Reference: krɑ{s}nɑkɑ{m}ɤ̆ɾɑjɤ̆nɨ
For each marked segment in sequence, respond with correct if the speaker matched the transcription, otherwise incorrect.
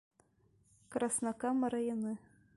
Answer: correct, correct

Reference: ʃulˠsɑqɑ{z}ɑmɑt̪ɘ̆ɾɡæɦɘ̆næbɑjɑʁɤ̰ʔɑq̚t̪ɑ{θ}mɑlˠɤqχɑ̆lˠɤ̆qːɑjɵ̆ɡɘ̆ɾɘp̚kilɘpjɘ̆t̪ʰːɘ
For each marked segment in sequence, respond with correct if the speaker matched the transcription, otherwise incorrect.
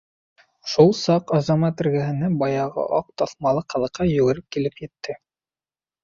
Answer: correct, correct

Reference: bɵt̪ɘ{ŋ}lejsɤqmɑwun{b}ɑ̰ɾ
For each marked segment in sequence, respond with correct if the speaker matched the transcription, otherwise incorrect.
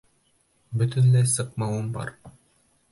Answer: incorrect, correct

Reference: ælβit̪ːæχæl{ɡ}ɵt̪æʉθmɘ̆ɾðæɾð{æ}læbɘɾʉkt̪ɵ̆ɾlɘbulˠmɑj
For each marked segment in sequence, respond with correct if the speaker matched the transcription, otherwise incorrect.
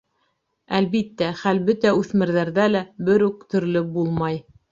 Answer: incorrect, correct

